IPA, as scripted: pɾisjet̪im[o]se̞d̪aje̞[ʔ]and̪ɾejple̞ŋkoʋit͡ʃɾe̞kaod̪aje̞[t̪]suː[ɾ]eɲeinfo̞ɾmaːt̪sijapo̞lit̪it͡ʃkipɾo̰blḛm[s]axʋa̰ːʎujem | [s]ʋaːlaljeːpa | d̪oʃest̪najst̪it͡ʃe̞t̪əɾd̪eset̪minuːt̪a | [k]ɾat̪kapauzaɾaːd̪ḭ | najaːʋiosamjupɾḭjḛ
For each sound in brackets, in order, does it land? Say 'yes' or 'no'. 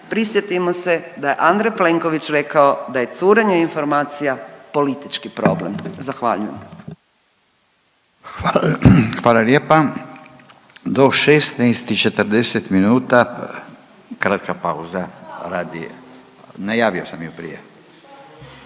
yes, yes, yes, yes, no, no, yes

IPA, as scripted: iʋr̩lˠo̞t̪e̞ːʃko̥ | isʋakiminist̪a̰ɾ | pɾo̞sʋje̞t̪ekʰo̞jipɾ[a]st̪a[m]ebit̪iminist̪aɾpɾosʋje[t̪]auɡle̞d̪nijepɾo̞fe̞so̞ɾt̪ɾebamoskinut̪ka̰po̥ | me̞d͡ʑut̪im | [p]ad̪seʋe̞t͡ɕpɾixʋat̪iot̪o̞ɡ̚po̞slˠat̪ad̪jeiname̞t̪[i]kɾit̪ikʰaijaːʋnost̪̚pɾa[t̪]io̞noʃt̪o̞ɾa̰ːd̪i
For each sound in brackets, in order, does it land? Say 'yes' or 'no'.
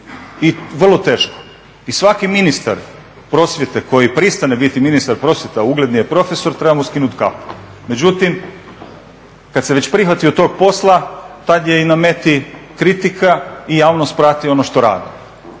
no, no, yes, no, yes, yes

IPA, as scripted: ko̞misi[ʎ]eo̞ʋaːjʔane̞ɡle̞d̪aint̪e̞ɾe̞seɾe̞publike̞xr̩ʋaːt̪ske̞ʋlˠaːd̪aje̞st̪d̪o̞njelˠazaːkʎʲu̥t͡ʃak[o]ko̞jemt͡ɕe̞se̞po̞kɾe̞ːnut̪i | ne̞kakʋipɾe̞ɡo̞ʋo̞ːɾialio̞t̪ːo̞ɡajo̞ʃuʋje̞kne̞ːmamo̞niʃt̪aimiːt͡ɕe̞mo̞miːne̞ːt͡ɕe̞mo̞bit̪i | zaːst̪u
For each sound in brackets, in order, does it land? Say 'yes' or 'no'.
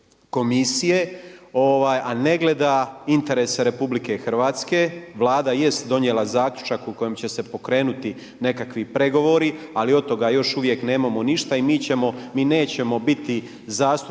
no, no

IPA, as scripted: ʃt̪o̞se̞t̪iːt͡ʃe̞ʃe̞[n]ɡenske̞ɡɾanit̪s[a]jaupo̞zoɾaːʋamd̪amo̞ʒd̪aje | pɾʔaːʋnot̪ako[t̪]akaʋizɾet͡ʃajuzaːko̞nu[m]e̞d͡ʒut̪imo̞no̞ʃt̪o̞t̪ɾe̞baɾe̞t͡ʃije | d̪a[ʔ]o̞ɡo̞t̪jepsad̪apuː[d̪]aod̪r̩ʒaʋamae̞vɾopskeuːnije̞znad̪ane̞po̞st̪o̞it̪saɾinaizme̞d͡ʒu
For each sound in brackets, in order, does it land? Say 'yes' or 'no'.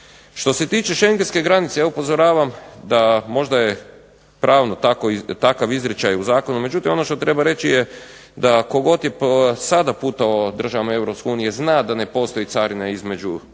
no, no, yes, yes, no, no

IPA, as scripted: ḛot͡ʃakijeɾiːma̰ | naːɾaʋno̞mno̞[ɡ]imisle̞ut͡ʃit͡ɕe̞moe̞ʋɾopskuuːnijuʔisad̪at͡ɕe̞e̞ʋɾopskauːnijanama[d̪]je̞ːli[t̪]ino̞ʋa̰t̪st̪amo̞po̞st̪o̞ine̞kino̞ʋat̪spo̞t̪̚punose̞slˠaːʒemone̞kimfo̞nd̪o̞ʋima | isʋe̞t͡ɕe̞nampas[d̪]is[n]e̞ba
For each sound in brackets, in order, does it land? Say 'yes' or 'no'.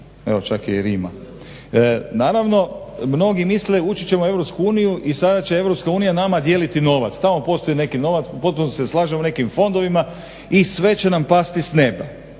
yes, yes, yes, no, yes

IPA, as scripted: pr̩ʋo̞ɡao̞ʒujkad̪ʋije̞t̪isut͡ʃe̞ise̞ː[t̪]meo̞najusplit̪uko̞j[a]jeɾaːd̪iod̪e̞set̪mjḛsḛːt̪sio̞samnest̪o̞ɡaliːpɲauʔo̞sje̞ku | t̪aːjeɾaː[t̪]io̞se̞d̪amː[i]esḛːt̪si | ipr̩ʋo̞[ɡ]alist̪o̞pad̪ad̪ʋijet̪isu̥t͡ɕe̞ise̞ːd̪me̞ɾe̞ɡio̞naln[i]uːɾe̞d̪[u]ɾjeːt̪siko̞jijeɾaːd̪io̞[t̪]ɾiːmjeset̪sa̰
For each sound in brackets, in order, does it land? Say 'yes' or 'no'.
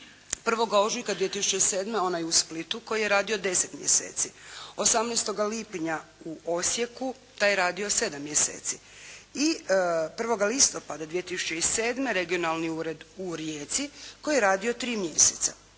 no, no, no, no, yes, yes, yes, yes

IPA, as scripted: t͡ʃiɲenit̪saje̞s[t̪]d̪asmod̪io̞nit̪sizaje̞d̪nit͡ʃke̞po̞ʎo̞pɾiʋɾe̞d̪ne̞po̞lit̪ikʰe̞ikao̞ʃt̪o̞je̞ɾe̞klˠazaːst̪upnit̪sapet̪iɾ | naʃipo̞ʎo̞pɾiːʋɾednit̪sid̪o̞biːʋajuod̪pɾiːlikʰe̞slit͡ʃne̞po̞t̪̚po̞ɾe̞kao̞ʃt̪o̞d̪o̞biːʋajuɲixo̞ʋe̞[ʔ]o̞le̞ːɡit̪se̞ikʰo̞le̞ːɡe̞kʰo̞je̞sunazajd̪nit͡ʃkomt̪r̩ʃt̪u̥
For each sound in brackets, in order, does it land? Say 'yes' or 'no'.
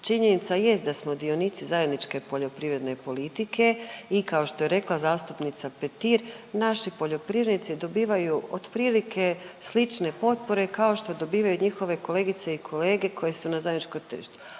yes, no

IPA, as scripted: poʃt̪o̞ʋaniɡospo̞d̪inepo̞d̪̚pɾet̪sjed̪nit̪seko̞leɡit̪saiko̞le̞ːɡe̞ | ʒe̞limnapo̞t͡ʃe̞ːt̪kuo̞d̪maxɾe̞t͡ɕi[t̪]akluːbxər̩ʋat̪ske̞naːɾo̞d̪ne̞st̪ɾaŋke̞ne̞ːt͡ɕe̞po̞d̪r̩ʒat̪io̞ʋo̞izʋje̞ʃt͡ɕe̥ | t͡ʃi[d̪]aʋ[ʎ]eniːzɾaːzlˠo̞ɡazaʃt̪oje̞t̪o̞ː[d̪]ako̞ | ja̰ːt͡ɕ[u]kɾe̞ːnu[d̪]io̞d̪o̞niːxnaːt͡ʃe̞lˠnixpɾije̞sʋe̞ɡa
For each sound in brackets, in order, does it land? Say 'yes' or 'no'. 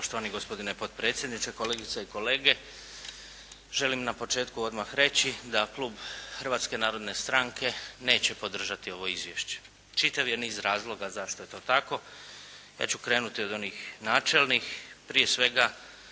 no, no, no, no, yes, no

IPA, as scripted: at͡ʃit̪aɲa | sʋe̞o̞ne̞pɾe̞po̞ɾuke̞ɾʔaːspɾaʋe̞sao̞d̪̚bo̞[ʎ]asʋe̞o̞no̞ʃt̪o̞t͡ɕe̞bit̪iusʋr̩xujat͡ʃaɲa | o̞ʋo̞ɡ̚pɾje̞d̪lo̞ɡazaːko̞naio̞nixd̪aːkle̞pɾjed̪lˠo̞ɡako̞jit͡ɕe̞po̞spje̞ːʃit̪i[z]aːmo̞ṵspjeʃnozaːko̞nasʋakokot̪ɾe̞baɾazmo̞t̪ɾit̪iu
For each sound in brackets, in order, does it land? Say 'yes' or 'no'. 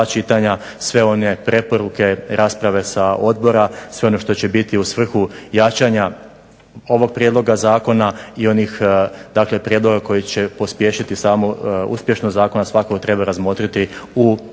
no, no

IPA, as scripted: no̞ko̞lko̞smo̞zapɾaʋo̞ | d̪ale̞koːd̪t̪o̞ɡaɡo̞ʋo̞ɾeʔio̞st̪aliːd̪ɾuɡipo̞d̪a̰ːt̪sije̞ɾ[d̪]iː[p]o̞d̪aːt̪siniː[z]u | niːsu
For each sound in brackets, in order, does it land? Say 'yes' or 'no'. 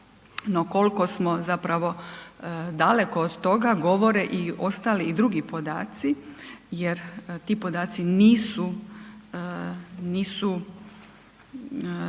no, yes, no

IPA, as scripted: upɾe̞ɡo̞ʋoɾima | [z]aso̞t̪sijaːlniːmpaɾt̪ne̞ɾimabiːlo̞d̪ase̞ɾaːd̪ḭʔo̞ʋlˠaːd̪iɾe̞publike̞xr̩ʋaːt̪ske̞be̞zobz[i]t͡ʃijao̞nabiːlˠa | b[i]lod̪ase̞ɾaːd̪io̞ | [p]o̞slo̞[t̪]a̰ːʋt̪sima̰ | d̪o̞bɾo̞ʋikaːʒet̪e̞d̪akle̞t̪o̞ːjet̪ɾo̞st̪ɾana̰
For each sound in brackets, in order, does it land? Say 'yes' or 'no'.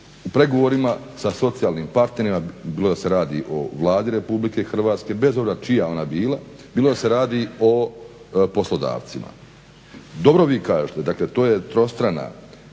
no, no, no, yes, no

